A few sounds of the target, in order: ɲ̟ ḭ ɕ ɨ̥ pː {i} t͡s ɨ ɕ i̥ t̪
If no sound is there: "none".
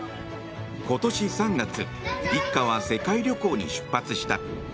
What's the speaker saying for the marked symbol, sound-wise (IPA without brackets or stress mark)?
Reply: a